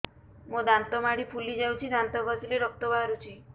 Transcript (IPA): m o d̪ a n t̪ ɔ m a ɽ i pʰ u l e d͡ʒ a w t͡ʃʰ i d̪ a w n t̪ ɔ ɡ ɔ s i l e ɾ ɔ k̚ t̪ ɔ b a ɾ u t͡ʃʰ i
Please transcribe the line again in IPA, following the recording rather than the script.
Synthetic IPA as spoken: m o d̪ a n t̪ ɔ m a ɽ i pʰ u l i d͡ʒ a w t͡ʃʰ i d̪ a n t̪ ɔ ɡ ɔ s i l e ɾ ɔ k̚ t̪ ɔ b a ɾ u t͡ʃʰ i